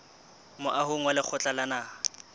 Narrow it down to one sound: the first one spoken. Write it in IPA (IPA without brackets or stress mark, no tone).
m